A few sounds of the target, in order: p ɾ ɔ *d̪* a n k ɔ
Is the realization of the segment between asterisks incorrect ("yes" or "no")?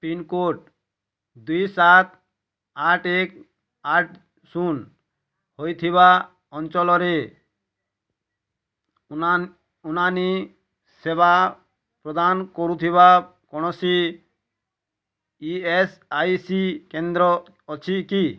no